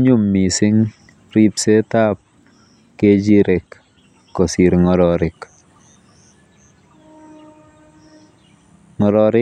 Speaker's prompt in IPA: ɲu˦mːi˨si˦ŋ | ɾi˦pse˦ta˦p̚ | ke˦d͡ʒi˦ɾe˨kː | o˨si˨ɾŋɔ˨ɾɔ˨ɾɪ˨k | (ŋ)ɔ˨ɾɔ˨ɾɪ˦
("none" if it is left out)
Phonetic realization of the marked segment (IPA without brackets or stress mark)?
ŋ